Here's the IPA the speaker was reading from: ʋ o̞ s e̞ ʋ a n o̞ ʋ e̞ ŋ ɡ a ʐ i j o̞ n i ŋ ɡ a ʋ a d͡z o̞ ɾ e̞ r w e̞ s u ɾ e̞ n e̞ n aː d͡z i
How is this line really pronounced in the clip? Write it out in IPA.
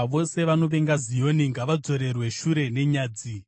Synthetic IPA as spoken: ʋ o̞ s e̞ ʋ a n o̞ ʋ e̞ ŋ ɡ a z i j o̞ n i ŋ ɡ a ʋ a d͡z o̞ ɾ e̞ r w e̞ ʃ u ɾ e̞ n e̞ ɲ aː d͡z i